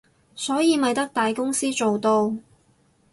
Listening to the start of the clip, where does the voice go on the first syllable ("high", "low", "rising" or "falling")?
rising